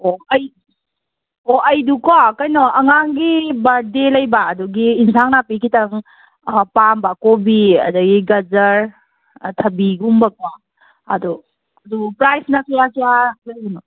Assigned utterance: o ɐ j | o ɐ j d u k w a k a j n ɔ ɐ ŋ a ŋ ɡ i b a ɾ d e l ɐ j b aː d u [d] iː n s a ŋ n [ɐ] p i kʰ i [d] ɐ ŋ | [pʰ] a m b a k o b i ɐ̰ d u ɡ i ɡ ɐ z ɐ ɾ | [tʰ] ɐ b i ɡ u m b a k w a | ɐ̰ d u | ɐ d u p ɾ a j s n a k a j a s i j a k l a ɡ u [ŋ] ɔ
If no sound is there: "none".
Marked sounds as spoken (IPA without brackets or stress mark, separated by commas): ɡ, a, t, p, tʰ, n